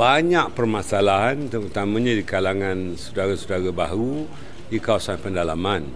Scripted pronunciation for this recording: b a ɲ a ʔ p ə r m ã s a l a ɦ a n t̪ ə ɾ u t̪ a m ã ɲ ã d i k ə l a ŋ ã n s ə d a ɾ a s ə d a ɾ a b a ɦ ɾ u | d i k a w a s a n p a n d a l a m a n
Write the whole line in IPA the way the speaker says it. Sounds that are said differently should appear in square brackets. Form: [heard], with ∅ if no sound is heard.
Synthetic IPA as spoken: b a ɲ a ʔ p ə r m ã s a l a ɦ a n t̪ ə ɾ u t̪ a m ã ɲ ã d i k [a] l a ŋ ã n s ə d a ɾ a s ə d a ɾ a b a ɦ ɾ u | d i k a w a s a n p [ə] n d a l a m a n